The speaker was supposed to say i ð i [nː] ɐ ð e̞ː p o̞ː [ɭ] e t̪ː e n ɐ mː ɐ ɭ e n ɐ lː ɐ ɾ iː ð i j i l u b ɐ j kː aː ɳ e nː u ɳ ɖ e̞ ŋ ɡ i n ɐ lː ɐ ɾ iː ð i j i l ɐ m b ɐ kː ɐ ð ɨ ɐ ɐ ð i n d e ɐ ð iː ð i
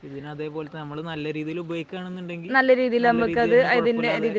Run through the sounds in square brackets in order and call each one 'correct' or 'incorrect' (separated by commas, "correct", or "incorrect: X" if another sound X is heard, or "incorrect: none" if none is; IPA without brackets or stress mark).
incorrect: n, incorrect: l